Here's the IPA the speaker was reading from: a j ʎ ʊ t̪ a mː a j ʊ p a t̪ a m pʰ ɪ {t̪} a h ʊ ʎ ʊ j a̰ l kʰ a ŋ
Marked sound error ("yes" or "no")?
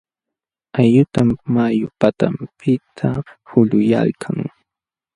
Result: yes